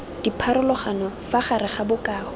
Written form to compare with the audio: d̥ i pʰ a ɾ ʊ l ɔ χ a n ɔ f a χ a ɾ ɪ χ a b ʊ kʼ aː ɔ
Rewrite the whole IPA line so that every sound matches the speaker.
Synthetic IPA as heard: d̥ i pʰ a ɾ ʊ l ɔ χ a n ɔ f a χ a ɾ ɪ χ a b ʊ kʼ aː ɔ